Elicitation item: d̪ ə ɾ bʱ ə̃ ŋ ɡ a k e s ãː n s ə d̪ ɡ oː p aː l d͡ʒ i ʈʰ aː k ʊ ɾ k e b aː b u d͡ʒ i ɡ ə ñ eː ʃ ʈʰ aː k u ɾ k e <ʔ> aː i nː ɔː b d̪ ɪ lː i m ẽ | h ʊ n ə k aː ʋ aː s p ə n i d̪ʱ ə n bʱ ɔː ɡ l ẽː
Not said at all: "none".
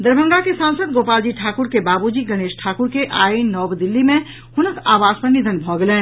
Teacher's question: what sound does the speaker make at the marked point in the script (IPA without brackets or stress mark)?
ʔ